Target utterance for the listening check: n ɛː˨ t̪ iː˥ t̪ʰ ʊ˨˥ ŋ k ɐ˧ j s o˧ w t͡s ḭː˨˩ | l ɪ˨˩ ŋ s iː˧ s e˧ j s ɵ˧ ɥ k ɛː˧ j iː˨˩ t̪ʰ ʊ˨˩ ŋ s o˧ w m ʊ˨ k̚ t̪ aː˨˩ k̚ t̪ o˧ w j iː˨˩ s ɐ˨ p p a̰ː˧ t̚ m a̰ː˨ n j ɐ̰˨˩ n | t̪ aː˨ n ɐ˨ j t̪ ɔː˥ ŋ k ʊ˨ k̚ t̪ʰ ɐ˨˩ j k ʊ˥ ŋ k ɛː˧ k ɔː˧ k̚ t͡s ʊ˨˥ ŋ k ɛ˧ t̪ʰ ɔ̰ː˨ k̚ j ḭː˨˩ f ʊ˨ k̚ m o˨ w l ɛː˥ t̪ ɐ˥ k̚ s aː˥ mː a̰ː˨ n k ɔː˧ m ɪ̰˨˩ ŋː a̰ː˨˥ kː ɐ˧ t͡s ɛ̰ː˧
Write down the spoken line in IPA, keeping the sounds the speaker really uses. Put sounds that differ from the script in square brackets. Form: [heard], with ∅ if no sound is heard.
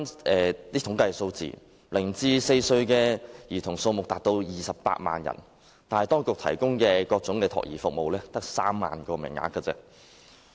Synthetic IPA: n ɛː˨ t̪ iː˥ t̪ʰ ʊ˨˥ ŋ k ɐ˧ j s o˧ w t͡s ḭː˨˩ | l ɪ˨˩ ŋ [t͡s] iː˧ s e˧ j s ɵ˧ ɥ k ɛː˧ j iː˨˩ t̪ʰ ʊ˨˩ ŋ s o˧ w m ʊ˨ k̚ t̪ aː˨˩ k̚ t̪ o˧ w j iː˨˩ s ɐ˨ p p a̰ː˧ t̚ m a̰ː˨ n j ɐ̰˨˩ n | t̪ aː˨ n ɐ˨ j t̪ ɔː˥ ŋ k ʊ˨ k̚ t̪ʰ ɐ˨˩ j k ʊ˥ ŋ k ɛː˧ k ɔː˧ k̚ t͡s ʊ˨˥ ŋ k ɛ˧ t̪ʰ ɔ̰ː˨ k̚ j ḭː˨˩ f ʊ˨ k̚ m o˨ w l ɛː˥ t̪ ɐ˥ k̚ s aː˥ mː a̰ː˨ n k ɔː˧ m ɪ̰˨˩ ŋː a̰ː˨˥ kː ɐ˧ t͡s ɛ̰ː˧